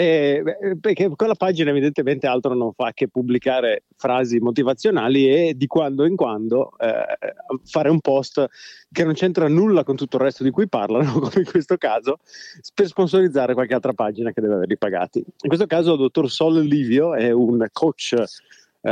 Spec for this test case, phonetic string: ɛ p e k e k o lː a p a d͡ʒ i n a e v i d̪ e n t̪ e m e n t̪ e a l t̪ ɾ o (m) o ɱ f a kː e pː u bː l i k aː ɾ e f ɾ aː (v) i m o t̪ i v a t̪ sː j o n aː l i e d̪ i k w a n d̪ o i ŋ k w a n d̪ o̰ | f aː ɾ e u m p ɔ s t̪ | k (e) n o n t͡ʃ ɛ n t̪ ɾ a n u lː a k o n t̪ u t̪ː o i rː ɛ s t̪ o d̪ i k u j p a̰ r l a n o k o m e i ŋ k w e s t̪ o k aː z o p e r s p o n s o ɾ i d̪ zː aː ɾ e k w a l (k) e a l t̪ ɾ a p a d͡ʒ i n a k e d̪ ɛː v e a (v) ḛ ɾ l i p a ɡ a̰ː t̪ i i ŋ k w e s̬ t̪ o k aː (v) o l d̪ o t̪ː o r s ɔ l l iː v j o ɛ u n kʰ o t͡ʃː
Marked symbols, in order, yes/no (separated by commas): no, no, yes, yes, yes, no